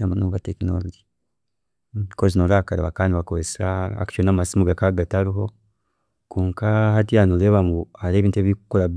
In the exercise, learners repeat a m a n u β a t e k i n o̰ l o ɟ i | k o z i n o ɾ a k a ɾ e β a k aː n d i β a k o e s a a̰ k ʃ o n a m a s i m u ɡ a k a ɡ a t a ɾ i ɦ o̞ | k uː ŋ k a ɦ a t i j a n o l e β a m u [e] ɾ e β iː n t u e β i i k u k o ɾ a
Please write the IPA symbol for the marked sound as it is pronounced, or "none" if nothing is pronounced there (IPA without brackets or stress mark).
a